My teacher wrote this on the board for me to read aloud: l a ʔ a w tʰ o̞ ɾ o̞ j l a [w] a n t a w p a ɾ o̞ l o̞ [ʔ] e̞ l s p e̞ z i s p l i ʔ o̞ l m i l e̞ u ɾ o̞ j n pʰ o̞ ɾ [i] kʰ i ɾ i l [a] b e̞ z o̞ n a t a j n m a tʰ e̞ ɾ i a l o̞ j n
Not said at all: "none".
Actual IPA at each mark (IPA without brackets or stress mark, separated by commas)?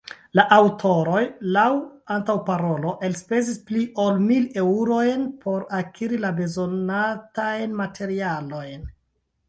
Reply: w, ʔ, a, a